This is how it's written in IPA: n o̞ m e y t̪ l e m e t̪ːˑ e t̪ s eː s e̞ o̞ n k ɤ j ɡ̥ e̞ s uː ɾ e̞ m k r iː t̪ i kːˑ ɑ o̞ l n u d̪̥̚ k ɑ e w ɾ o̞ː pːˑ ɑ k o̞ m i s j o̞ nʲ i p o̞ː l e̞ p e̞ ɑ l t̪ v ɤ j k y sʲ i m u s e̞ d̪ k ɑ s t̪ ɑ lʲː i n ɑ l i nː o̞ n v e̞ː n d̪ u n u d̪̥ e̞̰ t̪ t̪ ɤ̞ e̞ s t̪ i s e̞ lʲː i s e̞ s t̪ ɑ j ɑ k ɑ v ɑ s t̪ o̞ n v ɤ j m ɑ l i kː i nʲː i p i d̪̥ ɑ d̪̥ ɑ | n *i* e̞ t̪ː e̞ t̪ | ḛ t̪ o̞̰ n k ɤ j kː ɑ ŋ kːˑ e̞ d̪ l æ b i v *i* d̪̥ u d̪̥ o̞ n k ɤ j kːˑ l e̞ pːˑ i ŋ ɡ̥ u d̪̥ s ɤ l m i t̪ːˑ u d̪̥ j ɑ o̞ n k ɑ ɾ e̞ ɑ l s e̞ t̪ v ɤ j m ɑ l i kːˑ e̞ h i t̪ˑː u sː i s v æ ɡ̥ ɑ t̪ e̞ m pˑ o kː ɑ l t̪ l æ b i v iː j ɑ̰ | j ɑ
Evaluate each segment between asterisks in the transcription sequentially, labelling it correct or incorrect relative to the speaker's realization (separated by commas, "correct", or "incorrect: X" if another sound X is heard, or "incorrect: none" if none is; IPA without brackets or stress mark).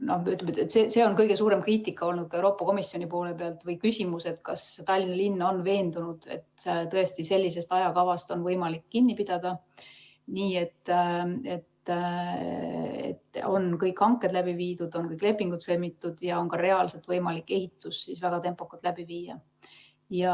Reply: incorrect: iː, incorrect: iː